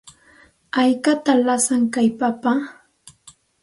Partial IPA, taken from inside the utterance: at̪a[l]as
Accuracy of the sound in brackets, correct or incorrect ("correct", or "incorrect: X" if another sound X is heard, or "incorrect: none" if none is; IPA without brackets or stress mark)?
correct